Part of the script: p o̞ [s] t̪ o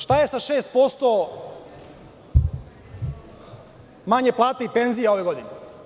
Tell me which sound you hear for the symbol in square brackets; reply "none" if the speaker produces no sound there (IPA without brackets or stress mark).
s